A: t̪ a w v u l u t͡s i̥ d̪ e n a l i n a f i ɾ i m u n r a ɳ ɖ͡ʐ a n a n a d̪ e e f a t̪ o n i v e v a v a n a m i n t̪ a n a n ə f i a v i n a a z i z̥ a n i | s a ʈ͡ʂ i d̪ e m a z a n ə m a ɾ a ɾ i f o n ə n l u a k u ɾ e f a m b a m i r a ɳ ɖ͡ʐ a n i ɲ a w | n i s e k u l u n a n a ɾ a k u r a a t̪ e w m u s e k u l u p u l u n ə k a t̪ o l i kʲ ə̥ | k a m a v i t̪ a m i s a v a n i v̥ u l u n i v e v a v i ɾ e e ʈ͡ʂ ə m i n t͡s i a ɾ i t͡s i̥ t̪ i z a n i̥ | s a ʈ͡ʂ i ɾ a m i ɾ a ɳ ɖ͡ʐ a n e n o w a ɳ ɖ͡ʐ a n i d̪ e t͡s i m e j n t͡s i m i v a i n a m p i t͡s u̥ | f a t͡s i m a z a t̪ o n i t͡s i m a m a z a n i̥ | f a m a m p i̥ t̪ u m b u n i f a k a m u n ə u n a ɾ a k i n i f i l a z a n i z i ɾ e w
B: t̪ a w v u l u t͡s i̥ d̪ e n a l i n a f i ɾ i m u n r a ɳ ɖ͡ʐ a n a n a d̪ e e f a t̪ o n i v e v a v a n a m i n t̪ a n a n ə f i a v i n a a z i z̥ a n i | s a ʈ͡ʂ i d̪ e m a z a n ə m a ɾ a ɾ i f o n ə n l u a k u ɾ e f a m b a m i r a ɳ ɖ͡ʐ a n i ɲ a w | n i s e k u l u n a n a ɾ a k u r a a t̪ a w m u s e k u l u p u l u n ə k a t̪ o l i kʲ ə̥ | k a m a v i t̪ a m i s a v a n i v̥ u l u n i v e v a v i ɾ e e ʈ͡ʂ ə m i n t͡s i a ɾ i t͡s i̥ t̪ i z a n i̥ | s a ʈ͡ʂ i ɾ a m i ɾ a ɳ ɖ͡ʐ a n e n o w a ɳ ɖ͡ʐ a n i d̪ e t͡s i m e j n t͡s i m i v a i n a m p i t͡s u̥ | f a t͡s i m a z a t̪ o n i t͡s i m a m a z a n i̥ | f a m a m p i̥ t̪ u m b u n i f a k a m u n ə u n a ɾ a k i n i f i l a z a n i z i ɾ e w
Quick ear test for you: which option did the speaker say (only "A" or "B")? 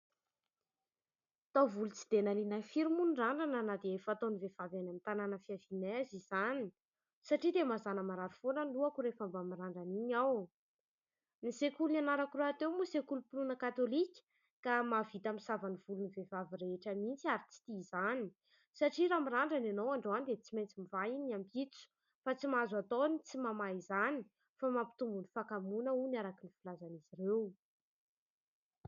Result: A